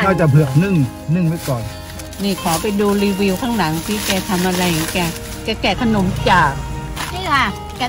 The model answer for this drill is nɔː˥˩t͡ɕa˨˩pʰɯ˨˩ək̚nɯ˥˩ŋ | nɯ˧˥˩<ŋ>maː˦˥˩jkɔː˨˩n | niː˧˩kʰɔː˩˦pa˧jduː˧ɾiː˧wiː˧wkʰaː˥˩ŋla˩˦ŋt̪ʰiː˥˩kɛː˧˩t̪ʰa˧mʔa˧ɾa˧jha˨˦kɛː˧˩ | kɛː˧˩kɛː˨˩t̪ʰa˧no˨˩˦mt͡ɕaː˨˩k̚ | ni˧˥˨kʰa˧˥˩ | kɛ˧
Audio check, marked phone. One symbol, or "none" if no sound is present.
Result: ŋ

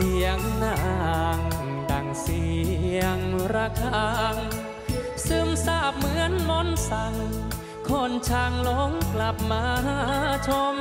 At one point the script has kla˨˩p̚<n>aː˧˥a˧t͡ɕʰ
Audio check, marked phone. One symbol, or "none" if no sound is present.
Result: m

